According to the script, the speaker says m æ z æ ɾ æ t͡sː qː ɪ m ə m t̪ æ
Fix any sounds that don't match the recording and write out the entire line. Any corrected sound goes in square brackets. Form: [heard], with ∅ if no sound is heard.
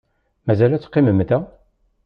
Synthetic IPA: m æ z æ [l] æ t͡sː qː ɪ m ə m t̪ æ